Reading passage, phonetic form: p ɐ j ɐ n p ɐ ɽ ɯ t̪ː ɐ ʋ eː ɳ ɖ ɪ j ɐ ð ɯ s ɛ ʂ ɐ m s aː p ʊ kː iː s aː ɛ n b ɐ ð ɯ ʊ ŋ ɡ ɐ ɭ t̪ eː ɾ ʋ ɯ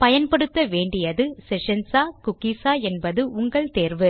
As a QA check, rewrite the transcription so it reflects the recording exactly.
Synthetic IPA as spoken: p ɐ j ɐ n p ɐ ɽ ɯ t̪ː ɐ ʋ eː ɳ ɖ ɪ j ɐ ð ɯ s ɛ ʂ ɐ n s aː k ʊ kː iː s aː ɛ n b ɐ ð ɯ ʊ ŋ ɡ ɐ ɭ t̪ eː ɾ ʋ ɯ